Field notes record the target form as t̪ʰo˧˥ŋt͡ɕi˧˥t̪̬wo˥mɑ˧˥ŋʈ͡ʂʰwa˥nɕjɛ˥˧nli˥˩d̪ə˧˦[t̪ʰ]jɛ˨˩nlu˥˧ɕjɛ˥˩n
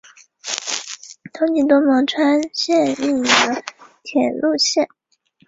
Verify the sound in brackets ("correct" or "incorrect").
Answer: correct